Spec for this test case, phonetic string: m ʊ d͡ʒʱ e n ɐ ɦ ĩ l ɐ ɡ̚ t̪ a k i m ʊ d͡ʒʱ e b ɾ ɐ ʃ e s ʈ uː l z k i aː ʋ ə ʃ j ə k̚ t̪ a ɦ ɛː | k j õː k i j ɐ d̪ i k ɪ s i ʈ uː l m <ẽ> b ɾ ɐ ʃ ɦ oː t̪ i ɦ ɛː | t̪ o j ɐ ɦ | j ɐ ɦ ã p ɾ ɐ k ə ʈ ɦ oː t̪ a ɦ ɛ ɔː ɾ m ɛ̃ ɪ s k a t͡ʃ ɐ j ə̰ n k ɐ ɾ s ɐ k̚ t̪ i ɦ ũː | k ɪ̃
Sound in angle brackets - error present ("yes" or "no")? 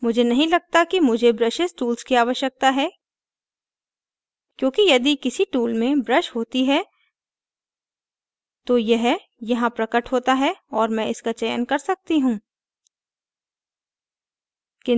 no